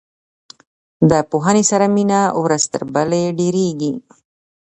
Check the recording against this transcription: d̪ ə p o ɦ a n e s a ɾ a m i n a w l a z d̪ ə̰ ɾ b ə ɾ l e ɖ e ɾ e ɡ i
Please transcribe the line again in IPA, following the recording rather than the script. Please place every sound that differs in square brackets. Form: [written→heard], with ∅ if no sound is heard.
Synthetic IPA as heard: d̪ ə p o ɦ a n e s a ɾ a m i n a w [l→ɾ] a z [d̪→t̪] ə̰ ɾ b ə [ɾ→∅] l e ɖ e ɾ e ɡ i